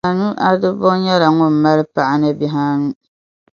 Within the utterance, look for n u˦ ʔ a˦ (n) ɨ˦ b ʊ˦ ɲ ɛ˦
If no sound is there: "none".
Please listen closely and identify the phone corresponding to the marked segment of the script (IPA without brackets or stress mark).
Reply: d